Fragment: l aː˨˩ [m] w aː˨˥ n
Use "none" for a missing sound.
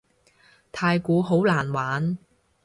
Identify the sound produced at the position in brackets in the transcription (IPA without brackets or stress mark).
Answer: n